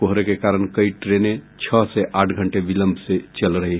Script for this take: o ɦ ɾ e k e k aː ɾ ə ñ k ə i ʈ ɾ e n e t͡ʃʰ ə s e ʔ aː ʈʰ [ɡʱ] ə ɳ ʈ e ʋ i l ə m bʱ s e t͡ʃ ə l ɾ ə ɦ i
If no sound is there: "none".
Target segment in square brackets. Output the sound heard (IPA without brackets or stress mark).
ɡʱ